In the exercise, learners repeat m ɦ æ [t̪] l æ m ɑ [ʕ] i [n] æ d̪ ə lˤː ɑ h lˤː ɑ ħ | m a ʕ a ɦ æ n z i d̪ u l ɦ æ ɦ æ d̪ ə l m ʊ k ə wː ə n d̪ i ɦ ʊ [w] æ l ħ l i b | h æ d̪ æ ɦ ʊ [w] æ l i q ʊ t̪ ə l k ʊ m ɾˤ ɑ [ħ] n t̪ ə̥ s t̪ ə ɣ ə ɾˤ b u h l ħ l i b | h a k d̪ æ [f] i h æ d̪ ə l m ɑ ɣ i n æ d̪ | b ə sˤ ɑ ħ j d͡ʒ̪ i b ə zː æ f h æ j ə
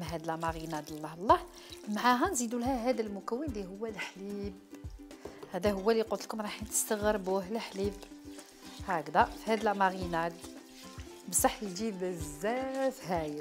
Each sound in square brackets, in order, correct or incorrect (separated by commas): incorrect, incorrect, correct, incorrect, incorrect, correct, correct